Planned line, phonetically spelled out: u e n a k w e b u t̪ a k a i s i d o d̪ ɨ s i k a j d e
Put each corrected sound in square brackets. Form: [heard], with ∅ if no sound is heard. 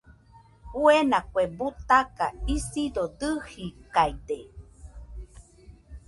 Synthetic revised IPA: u e n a k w e b u t̪ a k a i s i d o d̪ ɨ [h] i k a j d e